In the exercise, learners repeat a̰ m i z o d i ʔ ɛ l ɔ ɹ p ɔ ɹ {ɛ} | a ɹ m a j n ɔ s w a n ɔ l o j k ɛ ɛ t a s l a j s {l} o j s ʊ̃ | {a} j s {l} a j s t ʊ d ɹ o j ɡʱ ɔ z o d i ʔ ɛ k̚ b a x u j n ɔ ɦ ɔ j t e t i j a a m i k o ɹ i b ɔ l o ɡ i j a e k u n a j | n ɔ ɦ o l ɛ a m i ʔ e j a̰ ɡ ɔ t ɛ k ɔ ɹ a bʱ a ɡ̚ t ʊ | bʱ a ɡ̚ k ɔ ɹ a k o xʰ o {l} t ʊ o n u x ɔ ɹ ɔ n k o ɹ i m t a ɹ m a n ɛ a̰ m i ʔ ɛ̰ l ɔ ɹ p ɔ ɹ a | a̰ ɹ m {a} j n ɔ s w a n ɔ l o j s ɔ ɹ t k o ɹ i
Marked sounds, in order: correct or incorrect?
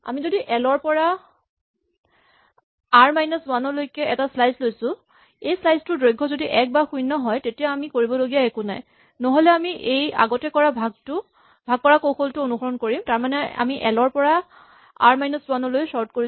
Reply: incorrect: a, correct, incorrect: e, correct, correct, correct

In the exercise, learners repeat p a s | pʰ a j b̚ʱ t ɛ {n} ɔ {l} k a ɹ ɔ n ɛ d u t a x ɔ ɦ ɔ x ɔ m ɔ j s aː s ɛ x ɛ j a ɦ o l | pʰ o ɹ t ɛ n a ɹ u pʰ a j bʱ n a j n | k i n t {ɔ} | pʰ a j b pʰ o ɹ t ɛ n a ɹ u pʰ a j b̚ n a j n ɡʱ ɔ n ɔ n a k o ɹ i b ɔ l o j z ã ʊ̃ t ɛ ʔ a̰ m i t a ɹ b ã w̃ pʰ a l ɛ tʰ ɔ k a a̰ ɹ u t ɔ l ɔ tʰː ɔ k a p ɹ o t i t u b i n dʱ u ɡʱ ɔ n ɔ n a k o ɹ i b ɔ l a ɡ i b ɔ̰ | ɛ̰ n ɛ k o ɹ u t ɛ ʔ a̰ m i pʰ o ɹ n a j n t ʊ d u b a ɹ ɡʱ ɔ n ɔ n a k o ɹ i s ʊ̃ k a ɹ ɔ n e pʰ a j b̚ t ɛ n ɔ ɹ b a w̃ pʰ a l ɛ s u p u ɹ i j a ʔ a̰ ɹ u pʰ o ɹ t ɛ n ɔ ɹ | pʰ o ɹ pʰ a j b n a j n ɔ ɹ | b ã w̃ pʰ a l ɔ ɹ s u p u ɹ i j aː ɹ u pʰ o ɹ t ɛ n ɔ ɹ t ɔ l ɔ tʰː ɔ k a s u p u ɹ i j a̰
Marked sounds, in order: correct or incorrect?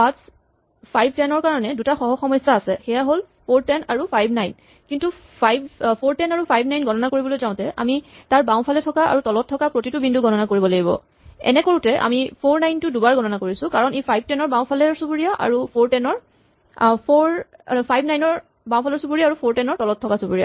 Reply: correct, incorrect: ɹ, incorrect: u

